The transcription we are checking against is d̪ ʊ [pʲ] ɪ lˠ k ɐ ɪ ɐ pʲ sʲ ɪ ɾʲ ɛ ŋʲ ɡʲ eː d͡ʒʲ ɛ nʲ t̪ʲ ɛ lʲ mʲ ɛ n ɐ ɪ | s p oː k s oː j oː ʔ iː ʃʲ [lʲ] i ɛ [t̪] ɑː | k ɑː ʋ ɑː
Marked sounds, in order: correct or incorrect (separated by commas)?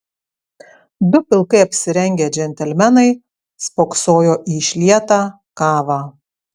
correct, correct, correct